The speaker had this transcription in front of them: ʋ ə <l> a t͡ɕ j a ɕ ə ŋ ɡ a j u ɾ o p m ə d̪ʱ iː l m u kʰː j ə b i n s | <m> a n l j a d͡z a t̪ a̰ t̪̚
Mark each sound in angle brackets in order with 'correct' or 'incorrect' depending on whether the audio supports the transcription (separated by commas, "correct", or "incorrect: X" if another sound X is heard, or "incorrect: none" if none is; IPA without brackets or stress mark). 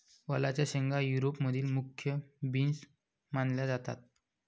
correct, correct